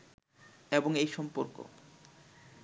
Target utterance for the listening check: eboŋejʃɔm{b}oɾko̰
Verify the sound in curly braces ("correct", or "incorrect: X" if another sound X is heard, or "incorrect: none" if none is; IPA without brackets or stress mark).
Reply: incorrect: p